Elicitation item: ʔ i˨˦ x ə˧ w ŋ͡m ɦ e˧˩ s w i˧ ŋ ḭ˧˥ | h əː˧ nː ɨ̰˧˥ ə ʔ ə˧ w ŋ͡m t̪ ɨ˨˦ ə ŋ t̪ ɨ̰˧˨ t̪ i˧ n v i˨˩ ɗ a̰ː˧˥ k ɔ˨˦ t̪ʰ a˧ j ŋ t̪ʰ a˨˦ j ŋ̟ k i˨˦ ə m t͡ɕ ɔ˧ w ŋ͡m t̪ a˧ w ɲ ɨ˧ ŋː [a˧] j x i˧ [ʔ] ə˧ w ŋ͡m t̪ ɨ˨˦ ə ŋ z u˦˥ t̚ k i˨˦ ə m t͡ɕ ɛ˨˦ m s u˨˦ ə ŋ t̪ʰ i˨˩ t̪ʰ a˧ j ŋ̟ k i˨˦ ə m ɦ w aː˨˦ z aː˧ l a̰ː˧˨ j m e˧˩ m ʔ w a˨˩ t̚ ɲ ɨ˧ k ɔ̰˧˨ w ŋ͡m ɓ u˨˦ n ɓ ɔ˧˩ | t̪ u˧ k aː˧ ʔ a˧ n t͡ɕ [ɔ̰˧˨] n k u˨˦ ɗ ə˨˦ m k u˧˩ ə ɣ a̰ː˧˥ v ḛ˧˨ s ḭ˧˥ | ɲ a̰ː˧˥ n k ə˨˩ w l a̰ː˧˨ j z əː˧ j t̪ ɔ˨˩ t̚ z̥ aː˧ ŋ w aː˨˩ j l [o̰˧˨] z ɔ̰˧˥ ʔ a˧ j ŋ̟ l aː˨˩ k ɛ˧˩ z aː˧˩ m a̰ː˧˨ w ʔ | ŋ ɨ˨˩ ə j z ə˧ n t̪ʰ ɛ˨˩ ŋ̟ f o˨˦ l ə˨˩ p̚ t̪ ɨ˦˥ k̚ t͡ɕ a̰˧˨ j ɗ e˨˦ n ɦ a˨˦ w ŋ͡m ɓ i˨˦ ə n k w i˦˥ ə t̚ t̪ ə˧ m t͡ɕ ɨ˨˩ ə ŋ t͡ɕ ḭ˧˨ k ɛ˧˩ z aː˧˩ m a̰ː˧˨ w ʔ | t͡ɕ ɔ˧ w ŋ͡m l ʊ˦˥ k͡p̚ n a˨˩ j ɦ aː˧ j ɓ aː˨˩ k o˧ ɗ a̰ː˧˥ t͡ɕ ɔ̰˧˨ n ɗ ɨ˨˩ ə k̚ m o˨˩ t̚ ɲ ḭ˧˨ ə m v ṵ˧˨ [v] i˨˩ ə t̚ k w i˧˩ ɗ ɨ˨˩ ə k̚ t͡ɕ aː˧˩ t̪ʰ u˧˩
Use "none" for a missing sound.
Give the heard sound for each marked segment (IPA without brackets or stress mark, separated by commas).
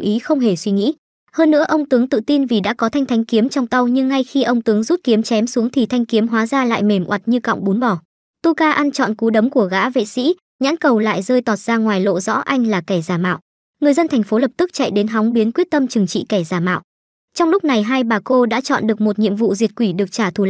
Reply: a˧, ʔ, ɔ̰˧˨, o̰˧˨, z